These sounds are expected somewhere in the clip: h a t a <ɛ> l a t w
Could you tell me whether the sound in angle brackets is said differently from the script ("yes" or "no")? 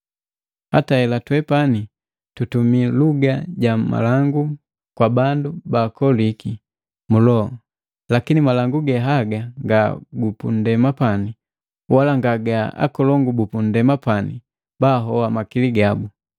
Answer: no